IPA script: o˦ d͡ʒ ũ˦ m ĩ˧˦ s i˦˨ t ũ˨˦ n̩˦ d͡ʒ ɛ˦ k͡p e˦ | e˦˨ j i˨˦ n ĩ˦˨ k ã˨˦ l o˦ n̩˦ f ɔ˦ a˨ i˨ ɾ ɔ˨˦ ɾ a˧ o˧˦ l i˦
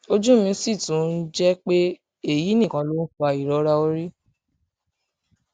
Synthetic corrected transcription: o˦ d͡ʒ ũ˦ m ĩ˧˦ s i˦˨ t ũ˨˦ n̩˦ d͡ʒ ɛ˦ k͡p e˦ | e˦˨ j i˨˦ n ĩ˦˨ k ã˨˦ l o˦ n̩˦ f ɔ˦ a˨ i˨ ɾ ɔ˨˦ ɾ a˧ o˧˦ ɾ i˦